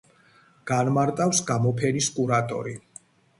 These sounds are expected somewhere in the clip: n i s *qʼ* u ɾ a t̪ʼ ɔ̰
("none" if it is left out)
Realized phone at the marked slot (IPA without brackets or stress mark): kʼ